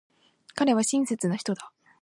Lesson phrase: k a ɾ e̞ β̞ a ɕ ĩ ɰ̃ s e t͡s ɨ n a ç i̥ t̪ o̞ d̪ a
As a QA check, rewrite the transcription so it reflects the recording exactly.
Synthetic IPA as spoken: k a ɾ e̞ β̞ a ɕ ĩ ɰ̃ s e t͡s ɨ n a ç i̥ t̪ o̞ d̪ a